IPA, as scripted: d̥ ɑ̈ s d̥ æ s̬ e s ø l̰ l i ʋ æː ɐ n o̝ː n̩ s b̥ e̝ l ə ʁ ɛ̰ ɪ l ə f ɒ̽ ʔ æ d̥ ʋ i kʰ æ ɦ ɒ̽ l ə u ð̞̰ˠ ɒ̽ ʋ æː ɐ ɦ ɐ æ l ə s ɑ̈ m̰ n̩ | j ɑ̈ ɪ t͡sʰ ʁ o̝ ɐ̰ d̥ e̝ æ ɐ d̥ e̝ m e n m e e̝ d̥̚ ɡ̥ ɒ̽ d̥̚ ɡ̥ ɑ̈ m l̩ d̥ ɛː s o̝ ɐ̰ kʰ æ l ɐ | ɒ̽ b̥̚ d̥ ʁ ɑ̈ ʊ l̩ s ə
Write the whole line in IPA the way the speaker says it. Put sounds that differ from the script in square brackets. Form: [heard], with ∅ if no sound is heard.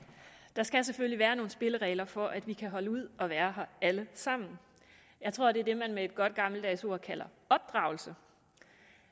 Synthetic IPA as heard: d̥ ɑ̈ s [ɡ̥] æ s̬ e [f] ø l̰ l i ʋ æː ɐ n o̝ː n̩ s b̥ e̝ l ə ʁ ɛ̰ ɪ l [ɐ] f ɒ̽ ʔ æ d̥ ʋ i kʰ æ ɦ ɒ̽ l ə u ð̞̰ˠ ɒ̽ ʋ æː ɐ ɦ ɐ æ l ə s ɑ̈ m̰ n̩ | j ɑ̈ ɪ t͡sʰ ʁ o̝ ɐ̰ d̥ e̝ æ ɐ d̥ e̝ m [æ] n m e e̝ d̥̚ ɡ̥ ɒ̽ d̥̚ ɡ̥ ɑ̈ m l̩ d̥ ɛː s o̝ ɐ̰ kʰ æ l ɐ | ɒ̽ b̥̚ d̥ ʁ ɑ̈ ʊ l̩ s ə